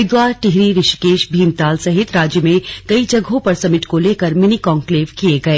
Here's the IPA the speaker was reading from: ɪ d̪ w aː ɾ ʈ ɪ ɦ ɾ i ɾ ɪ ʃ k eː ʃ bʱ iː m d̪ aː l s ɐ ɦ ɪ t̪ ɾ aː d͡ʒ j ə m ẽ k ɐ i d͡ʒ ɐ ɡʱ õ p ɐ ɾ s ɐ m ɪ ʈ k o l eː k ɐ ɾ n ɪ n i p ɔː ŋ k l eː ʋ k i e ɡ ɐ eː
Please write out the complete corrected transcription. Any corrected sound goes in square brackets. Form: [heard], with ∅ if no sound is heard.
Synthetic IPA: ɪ d̪ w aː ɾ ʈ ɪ ɦ ɾ i ɾ ɪ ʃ k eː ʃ bʱ iː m [t̪] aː l s ɐ ɦ ɪ t̪ ɾ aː d͡ʒ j ə m ẽ k ɐ i d͡ʒ ɐ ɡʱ õ p ɐ ɾ s ɐ m ɪ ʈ k o l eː k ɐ ɾ [m] ɪ n i [k] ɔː ŋ k l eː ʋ k i e ɡ ɐ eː